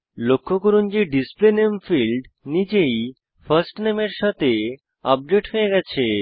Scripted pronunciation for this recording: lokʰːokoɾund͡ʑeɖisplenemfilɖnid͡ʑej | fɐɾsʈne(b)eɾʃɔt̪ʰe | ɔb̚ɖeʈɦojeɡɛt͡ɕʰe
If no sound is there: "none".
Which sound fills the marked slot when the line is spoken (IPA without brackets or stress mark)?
m